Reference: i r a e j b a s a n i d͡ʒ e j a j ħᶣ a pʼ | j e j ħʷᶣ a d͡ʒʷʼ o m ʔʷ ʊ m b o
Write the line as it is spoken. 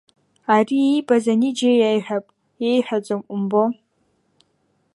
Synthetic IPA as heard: a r i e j b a z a n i d͡ʒ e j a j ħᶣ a pʼ | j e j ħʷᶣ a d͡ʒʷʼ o m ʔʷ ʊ m b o

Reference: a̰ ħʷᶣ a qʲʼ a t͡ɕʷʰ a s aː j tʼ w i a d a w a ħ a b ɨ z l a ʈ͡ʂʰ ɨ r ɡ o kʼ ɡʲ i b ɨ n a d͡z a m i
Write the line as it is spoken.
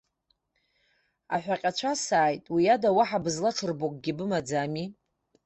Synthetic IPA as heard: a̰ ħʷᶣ a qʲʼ a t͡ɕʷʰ a s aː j tʼ w i a d a w a ħ a b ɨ z l a ʈ͡ʂʰ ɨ r b o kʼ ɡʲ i b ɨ m a d͡z a m i

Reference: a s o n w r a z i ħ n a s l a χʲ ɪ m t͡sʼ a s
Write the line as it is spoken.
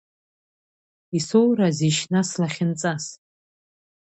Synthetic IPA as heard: i s o w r a z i ʃ n a s l a χʲ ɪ n t͡sʼ a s

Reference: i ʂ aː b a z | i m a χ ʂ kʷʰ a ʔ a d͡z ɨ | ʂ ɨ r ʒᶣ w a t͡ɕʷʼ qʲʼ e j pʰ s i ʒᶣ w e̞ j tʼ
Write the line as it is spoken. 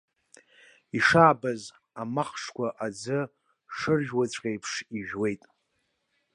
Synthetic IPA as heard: i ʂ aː b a z | a m a χ ʂ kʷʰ a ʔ a d͡z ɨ | ʂ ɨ r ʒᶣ w a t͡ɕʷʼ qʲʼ e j pʰ ʂ i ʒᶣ w e̞ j tʼ

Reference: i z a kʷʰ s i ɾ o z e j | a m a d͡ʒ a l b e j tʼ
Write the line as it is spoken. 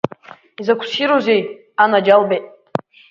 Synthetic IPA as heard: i z a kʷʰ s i ɾ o z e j | a n a d͡ʒ a l b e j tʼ

